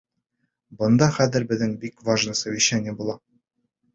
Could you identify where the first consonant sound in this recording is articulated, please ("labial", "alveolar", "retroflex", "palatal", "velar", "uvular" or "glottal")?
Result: labial